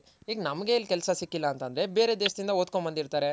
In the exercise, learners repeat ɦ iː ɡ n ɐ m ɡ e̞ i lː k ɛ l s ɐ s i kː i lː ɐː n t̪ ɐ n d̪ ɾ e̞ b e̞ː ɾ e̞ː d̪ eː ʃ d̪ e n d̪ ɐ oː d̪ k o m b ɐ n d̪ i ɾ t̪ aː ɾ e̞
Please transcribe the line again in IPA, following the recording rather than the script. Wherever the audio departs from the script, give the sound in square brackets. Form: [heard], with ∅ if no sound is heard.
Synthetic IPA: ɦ iː ɡ n ɐ m ɡ e̞ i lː k ɛ l s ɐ s i kː i lː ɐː n t̪ ɐ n d̪ ɾ e̞ b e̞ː ɾ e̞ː d̪ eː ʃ d̪ [i] n d̪ ɐ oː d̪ k o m b ɐ n d̪ i ɾ t̪ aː ɾ e̞